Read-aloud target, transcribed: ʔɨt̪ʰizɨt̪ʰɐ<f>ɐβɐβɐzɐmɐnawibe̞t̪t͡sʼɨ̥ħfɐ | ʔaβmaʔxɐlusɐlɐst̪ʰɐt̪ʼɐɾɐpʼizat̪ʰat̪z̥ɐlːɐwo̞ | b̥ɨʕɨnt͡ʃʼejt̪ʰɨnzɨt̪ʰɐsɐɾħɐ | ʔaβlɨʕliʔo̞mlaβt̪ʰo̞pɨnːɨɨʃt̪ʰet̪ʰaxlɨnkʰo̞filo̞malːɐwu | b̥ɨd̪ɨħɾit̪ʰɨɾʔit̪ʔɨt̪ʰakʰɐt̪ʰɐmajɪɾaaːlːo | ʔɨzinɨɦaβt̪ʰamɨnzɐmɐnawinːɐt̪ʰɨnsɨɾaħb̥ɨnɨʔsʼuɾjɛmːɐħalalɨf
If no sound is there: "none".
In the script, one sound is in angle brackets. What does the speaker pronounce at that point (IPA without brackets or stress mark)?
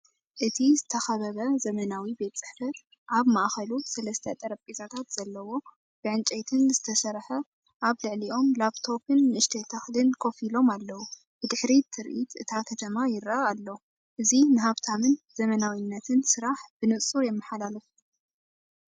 x